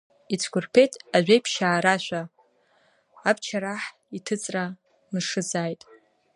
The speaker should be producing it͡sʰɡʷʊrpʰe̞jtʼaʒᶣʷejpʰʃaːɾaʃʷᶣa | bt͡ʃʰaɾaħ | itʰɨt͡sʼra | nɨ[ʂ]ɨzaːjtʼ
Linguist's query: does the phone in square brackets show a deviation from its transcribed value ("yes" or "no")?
no